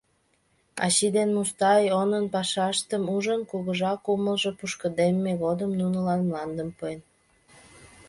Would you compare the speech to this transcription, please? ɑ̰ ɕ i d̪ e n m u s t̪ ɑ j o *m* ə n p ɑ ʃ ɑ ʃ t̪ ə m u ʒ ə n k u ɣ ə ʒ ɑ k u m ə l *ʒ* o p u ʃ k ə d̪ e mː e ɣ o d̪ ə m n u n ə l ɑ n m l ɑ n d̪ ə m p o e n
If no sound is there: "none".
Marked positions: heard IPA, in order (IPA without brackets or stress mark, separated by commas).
n, ʒ